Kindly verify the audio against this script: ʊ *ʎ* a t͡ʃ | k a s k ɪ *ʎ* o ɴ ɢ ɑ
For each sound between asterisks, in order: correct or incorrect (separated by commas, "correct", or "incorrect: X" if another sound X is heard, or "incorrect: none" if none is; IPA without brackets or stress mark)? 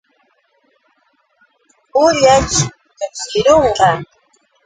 correct, incorrect: ɾ